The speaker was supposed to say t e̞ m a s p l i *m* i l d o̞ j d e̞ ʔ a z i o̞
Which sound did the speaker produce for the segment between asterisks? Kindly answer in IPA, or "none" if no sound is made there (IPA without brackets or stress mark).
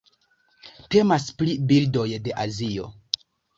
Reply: b